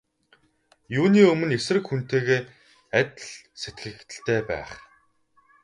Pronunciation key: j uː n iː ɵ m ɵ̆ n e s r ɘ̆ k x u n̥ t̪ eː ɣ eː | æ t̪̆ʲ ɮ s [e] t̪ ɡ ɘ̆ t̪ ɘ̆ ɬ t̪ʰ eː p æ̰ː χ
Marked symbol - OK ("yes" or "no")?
yes